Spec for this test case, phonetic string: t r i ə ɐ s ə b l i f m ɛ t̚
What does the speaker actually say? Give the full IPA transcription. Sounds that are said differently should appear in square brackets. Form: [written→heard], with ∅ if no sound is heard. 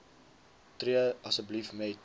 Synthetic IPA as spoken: t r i ə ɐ s ə b l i f m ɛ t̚